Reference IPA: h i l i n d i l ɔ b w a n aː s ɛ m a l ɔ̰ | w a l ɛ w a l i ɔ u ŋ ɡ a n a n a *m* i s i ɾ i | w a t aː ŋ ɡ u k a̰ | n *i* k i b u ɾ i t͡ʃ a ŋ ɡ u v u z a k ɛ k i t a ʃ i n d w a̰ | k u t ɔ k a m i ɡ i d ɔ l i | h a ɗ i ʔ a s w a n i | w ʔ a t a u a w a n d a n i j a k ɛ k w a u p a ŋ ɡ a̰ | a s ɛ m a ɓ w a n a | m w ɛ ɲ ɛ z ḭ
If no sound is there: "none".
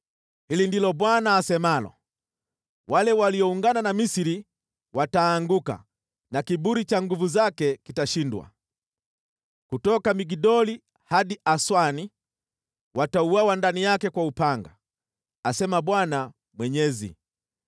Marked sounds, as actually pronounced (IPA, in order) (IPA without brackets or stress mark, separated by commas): m, a